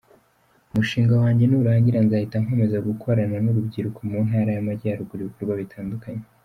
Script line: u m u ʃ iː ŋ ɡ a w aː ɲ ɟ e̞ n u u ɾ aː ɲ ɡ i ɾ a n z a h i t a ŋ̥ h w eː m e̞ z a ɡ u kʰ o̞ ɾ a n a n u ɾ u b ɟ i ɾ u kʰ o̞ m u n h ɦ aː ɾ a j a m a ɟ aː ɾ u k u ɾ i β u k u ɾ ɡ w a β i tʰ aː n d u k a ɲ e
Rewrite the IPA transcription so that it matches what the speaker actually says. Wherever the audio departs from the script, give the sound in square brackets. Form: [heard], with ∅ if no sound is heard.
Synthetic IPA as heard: u m u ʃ iː ŋ ɡ a w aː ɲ ɟ e̞ n u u ɾ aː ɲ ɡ i ɾ a n z a h i t a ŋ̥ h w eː m e̞ z a ɡ u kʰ o̞ ɾ a n a n u ɾ u b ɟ i ɾ u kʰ o̞ m u n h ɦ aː ɾ a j a m a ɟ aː ɾ u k u ɾ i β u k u ɾ ɡ w a β i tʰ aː n d u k a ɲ e